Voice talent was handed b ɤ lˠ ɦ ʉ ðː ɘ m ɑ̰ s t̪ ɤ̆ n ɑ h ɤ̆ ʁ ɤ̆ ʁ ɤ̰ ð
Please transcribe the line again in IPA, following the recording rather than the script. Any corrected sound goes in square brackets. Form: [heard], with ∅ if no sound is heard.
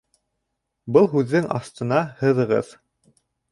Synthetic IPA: b ɤ lˠ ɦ ʉ ðː ɘ [ŋ] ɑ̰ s t̪ ɤ̆ n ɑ h ɤ̆ [ð] ɤ̆ ʁ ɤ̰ ð